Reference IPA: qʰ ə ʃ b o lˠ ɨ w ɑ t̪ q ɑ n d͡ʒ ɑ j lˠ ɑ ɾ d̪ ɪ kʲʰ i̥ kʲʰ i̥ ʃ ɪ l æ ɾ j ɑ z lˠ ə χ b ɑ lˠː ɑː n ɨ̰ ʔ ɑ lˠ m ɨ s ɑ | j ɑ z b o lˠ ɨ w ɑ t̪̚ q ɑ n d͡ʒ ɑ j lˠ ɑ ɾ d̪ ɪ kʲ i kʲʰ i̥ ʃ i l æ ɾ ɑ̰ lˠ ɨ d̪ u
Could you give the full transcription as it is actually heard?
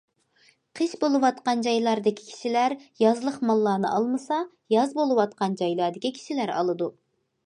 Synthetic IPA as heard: qʰ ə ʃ b o lˠ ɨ w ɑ t̪ q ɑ n d͡ʒ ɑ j lˠ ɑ ɾ d̪ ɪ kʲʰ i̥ kʲʰ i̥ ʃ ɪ l æ ɾ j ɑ z lˠ ə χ m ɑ lˠː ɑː n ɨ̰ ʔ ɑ lˠ m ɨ s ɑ | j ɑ z b o lˠ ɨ w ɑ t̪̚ q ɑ n d͡ʒ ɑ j lˠ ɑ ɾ d̪ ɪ kʲ i kʲʰ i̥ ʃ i l æ ɾ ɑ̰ lˠ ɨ d̪ u